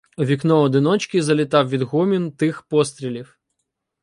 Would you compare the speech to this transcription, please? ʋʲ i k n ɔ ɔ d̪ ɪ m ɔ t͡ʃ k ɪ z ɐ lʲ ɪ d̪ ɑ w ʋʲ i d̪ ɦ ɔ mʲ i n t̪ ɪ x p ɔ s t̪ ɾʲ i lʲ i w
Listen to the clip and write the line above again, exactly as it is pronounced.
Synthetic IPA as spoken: ʋʲ i k n ɔ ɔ d̪ ɪ n ɔ t͡ʃ k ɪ z ɐ lʲ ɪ t̪ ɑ w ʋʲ i d̪ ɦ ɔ mʲ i n t̪ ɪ x p ɔ s t̪ ɾʲ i lʲ i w